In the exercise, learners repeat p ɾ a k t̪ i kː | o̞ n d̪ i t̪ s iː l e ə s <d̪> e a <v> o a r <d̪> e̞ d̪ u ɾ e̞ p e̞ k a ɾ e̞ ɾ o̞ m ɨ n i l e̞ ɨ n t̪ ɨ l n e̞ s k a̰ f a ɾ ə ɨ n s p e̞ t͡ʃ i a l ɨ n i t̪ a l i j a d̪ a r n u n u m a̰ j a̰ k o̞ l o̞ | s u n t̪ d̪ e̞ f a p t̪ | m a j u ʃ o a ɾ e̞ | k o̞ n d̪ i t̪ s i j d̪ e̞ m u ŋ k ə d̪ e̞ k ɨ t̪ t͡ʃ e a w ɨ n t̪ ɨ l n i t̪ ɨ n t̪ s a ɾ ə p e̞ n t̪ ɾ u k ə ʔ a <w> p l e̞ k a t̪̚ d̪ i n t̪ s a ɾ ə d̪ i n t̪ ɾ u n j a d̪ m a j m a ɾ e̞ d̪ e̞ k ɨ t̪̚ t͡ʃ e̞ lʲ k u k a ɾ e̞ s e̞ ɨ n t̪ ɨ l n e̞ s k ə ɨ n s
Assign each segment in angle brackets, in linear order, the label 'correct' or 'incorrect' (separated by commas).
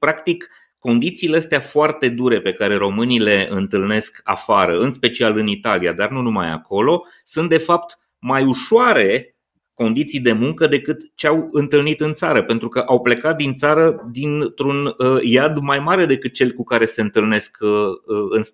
incorrect, incorrect, incorrect, correct